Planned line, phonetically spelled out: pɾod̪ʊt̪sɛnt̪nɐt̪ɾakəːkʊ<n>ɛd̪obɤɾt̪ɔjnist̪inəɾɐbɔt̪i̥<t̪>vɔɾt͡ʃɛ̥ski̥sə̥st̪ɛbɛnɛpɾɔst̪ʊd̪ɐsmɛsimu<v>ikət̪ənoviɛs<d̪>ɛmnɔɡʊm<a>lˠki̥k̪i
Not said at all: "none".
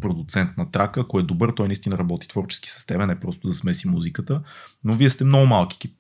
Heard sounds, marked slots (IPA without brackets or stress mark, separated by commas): none, t̪, z, t̪, a